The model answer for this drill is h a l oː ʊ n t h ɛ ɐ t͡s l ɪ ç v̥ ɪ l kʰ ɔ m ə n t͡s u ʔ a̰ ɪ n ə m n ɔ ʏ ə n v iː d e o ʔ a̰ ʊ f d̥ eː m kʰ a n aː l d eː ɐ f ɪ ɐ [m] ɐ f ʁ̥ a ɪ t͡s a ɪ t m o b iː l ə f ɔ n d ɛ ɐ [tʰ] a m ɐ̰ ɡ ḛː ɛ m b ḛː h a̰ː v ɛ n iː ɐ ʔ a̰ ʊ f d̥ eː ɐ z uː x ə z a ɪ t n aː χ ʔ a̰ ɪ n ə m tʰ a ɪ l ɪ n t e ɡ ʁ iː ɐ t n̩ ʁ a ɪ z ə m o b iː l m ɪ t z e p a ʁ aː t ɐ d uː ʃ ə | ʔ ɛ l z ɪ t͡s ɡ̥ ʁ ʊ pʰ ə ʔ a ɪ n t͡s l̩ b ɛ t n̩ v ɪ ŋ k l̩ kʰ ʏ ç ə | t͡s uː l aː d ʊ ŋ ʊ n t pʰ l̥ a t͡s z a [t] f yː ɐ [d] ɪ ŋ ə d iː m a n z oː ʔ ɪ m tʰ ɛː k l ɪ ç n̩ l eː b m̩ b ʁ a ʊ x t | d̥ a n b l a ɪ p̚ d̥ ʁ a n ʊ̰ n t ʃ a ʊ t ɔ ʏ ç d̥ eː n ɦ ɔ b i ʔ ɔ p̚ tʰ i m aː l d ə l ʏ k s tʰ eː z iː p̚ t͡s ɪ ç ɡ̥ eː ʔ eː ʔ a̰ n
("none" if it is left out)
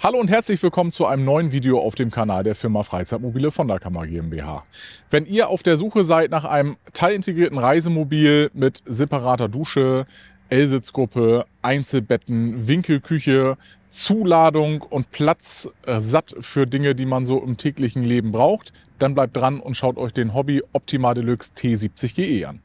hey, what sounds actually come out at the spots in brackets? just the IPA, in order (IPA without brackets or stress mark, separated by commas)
m, kʰ, t, d